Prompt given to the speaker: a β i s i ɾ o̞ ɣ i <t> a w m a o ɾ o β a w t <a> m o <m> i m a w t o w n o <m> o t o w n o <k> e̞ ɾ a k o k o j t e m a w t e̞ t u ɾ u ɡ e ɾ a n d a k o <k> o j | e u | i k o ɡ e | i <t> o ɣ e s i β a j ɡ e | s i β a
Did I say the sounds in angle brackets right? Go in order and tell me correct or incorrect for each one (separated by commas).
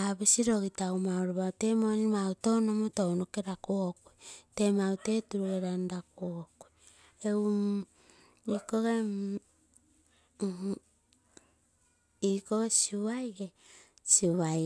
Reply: correct, incorrect, incorrect, correct, correct, correct, incorrect